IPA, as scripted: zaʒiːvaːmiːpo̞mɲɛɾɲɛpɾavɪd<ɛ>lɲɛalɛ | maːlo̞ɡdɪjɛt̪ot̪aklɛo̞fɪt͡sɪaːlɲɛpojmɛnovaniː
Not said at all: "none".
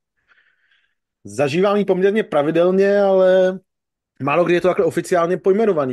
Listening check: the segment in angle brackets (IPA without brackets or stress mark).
ɛ